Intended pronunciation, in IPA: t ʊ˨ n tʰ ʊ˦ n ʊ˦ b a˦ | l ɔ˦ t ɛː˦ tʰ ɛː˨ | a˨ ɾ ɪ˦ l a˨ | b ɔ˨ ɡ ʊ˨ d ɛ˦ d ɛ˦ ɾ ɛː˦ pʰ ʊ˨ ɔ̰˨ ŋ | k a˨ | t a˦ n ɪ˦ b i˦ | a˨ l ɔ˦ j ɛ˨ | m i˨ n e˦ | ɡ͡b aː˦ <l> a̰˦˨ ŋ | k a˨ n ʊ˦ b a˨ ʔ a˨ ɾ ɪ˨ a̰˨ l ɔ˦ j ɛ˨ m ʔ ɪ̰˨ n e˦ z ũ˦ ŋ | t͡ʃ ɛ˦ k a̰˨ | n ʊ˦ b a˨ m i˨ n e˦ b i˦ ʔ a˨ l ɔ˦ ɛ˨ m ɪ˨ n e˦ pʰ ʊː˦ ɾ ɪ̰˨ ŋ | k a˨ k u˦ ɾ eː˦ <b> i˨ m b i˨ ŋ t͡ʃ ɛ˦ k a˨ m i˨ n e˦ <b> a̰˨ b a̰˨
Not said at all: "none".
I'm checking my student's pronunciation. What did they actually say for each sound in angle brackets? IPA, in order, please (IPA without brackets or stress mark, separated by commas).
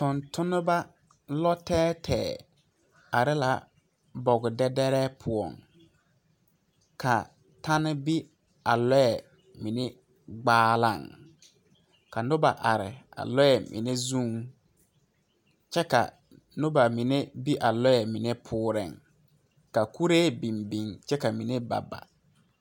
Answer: l, b, b